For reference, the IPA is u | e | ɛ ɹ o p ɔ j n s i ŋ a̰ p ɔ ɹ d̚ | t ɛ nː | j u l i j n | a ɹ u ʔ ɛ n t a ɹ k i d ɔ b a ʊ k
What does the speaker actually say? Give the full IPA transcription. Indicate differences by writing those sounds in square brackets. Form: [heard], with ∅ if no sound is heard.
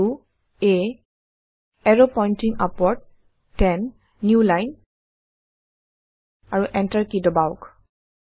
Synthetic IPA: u | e | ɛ ɹ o p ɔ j n [t] i ŋ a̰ p ɔ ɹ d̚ | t ɛ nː | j u l [a] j n | a ɹ u ʔ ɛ n t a ɹ k i d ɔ b a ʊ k

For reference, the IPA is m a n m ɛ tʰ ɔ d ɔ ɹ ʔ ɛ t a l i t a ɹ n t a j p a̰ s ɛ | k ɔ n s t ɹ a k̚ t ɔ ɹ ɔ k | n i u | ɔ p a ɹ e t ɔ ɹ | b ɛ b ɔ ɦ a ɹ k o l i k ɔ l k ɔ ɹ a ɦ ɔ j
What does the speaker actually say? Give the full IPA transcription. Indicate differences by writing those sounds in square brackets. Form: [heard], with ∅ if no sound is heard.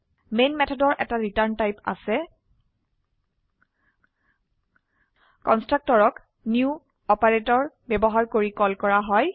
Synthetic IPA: m [e] n m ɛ tʰ ɔ d ɔ ɹ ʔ ɛ t a [ɹ] i t a ɹ n t a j p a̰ s ɛ | k ɔ n s t ɹ a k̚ t ɔ ɹ ɔ k | n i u | ɔ p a ɹ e t ɔ ɹ | b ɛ b ɔ ɦ a ɹ k o [ɹ] i k ɔ l k ɔ ɹ a ɦ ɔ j

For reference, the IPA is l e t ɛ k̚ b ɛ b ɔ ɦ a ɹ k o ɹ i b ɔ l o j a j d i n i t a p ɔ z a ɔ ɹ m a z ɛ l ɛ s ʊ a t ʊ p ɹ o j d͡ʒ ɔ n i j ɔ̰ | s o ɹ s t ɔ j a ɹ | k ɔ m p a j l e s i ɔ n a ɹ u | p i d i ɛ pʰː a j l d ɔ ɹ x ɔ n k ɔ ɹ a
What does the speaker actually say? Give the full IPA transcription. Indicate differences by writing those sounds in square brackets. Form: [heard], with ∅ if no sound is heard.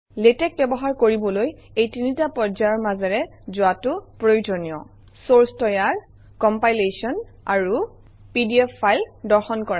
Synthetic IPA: l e t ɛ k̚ b ɛ b ɔ ɦ a ɹ k o ɹ i b ɔ l o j [e] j [t] i n i t a p ɔ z a ɔ ɹ m a z ɛ [ɹ] ɛ [z] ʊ a t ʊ p ɹ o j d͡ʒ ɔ n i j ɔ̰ | s o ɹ s t ɔ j a ɹ | k ɔ m p a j l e s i ɔ n a ɹ u | p i d i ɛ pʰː a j l d ɔ ɹ x ɔ n k ɔ ɹ a

